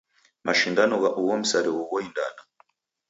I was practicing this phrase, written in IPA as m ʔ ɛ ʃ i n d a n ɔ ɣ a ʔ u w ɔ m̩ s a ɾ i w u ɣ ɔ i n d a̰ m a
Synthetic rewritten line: m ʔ a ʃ i n d a n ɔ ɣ a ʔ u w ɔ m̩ s a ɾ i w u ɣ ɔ i n d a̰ n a